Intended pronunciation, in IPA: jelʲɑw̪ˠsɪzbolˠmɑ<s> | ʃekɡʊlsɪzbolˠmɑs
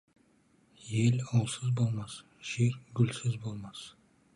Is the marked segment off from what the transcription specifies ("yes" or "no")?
no